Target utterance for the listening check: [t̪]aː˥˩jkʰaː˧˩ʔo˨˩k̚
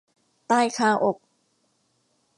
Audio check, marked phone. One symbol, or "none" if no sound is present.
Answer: t̪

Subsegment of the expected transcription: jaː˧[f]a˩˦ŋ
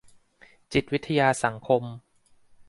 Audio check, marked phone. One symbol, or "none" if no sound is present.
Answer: s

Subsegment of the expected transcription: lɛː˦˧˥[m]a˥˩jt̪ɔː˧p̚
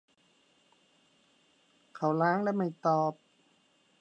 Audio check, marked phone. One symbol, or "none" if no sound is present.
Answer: m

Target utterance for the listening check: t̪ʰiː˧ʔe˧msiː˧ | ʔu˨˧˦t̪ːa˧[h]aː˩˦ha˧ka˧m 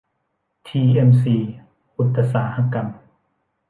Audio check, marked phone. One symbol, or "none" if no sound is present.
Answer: s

